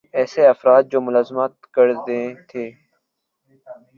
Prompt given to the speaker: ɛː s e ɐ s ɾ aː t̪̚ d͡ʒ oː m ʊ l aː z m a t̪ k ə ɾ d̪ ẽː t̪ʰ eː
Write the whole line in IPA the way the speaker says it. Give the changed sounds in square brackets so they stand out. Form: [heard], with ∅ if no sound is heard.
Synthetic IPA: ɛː s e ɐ [f] ɾ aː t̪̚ d͡ʒ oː m ʊ l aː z m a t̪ k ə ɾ d̪ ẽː t̪ʰ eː